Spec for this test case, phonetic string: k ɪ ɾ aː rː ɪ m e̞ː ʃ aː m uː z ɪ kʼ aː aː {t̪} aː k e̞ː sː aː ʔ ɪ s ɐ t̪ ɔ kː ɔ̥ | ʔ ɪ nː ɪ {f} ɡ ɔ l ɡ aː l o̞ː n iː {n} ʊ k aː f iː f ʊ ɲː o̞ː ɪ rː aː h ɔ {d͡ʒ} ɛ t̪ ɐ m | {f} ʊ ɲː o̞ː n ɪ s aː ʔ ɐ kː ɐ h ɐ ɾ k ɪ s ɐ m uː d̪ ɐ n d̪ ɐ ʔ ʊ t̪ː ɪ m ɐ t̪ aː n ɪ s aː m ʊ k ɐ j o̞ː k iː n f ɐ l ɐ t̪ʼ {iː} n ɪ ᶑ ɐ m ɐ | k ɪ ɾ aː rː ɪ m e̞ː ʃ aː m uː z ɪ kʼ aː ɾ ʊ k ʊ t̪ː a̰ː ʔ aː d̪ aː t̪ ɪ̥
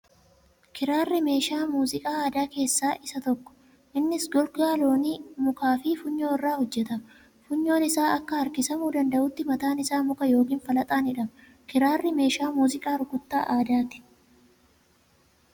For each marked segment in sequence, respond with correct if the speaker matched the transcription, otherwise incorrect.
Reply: incorrect, incorrect, incorrect, incorrect, correct, incorrect

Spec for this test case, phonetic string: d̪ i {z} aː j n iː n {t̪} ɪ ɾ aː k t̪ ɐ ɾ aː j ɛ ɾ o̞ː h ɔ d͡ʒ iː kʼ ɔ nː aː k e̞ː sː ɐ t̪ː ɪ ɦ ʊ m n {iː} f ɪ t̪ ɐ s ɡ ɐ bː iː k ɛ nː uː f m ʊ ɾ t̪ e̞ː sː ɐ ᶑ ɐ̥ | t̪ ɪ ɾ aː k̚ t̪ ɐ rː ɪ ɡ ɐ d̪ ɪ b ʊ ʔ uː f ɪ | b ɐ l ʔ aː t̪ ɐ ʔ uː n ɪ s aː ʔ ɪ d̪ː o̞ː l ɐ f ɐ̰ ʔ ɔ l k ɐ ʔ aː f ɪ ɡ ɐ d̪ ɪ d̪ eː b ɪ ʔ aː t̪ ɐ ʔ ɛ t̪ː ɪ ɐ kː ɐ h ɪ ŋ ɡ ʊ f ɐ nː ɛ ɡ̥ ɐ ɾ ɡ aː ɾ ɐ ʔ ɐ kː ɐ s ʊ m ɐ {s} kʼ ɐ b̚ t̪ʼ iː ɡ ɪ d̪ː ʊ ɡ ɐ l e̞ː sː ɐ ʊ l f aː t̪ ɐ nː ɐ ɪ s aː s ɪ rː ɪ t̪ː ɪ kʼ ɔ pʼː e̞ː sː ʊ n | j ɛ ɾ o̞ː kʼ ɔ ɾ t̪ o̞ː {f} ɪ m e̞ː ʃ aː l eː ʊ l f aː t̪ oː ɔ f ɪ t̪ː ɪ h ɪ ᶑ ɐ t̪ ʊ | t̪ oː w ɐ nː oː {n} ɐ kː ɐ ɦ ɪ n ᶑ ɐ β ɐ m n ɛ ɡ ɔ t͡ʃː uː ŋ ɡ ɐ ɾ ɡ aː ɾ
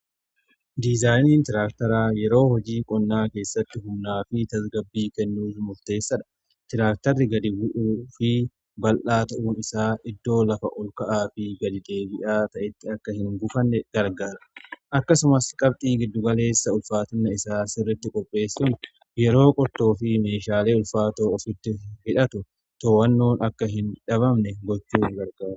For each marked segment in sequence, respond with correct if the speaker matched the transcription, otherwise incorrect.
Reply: correct, correct, incorrect, correct, correct, correct

